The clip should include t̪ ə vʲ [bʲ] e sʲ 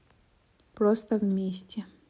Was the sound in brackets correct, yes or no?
no